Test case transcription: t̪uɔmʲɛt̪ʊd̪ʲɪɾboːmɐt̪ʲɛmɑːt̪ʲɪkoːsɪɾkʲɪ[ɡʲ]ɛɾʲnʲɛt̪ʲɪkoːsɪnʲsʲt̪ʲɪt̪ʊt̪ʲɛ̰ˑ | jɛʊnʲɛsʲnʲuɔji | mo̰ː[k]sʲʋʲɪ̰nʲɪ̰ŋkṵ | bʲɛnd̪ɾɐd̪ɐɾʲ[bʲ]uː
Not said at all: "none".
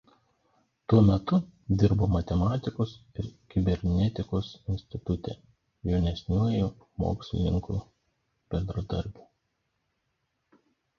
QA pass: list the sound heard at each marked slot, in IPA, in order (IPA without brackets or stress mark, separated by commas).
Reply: bʲ, k, bʲ